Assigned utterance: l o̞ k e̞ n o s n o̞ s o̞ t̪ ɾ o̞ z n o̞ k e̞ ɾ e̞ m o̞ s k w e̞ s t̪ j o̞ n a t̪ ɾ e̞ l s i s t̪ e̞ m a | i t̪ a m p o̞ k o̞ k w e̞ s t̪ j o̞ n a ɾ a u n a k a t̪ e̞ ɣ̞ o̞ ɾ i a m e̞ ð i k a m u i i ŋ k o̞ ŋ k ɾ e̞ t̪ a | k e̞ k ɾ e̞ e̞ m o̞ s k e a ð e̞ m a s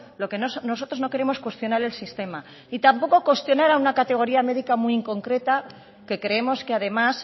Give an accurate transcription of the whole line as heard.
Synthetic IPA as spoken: l o̞ k e̞ n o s n o̞ s o̞ t̪ ɾ o̞ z n o̞ k e̞ ɾ e̞ m o̞ s k w e̞ s t̪ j o̞ n a ɾ e̞ l s i s t̪ e̞ m a | i t̪ a m p o̞ k o̞ k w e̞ s t̪ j o̞ n a ɾ a u n a k a t̪ e̞ ɣ̞ o̞ ɾ i a m e̞ ð i k a m u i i ŋ k o̞ ŋ k ɾ e̞ t̪ a | k e̞ k ɾ e̞ e̞ m o̞ s k e a ð e̞ m a s